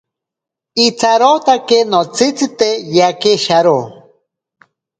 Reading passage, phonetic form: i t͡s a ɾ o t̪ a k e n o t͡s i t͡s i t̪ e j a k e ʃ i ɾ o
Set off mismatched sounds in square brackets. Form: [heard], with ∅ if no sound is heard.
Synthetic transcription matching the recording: i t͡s a ɾ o t̪ a k e n o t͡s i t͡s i t̪ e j a k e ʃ [a] ɾ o